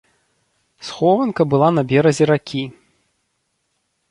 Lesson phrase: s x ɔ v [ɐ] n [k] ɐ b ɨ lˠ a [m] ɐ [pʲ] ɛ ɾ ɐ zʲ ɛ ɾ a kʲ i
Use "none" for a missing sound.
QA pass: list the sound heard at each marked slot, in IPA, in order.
ɐ, k, n, bʲ

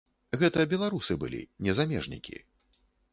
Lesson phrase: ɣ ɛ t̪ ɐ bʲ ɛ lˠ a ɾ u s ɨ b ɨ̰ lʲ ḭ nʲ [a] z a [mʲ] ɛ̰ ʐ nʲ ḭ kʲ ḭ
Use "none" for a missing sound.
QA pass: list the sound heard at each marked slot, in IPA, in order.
ɛ, mʲ

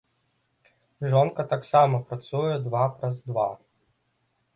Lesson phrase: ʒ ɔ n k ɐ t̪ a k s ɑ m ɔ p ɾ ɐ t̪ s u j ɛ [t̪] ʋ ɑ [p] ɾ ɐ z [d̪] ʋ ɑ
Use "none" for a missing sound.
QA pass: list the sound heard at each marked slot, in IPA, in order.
d̪, p, d̪

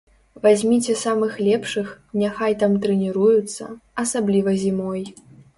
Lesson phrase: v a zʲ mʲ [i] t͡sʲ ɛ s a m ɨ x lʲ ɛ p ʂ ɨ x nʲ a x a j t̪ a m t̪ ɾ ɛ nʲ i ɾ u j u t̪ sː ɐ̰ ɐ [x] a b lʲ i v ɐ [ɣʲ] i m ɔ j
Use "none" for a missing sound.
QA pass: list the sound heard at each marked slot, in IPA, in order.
i, s, zʲ

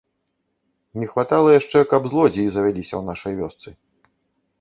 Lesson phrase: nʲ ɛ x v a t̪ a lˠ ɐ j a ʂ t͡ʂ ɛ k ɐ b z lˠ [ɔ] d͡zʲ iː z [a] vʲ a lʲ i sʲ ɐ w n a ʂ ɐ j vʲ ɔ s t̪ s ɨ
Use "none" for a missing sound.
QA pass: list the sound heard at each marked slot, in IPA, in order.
ɔ, ɐ

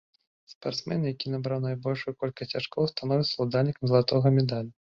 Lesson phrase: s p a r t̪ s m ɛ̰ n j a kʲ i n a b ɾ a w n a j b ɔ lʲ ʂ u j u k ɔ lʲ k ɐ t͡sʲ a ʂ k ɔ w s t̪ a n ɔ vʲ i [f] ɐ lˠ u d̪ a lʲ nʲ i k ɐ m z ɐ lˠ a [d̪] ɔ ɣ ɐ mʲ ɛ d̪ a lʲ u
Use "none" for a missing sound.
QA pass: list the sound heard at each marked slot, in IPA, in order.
s, t̪

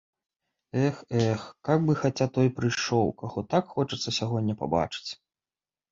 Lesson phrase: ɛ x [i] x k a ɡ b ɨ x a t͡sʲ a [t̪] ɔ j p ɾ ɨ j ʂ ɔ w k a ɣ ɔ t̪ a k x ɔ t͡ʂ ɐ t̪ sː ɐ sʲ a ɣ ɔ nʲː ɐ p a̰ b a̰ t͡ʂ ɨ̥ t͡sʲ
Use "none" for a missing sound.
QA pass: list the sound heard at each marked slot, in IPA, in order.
ɛ, t̪

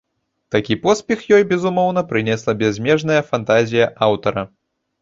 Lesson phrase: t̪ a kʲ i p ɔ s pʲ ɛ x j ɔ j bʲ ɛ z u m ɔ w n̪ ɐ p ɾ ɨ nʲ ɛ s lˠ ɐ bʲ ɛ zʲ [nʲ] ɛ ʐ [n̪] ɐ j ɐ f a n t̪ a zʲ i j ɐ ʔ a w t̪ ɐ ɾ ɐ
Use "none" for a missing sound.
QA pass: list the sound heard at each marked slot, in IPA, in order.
mʲ, n̪

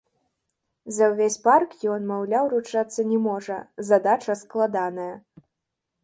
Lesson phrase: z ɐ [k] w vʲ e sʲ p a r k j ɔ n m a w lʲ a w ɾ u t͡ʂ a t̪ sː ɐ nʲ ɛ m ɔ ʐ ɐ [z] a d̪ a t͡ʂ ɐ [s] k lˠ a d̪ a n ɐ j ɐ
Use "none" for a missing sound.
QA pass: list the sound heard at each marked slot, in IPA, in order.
none, z, s

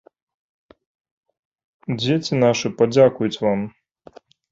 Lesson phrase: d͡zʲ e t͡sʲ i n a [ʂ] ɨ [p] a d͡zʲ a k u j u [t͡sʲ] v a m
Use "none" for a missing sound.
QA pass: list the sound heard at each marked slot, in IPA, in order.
ʂ, p, t͡sʲ

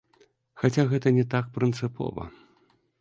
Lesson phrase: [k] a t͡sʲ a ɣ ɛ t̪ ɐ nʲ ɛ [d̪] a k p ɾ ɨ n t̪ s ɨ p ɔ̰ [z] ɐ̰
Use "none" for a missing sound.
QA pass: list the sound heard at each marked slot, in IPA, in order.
x, t̪, v

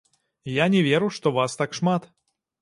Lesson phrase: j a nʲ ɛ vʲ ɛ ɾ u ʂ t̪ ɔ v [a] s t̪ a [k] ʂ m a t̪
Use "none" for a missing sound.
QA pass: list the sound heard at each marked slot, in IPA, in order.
a, k

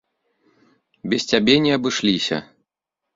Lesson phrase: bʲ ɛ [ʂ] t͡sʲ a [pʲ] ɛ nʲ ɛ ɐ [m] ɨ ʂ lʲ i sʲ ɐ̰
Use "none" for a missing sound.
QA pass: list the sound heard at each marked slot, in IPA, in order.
s, bʲ, b

